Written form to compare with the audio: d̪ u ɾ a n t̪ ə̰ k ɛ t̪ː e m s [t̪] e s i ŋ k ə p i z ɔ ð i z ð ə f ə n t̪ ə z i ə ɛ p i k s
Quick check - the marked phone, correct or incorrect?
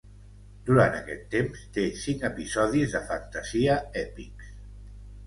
correct